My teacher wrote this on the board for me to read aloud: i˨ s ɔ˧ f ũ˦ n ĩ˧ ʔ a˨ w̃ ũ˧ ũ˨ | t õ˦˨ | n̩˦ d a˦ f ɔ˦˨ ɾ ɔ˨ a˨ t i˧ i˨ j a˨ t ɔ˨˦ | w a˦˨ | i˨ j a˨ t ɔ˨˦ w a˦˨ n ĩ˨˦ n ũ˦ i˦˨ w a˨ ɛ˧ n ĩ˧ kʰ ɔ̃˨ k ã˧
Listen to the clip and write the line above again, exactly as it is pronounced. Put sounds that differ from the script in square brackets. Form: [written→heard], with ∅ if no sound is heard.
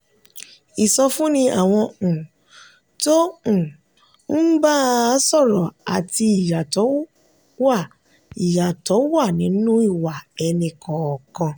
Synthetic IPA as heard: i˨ s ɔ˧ f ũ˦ n ĩ˧ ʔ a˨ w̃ [ũ˧→ɔ̃˧] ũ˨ | t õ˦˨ | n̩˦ [d→b] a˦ [f→s] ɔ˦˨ ɾ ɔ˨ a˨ t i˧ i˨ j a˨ t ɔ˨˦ | w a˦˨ | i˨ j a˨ t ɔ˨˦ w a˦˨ n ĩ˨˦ n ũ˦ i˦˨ w a˨ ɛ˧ n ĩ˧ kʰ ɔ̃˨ k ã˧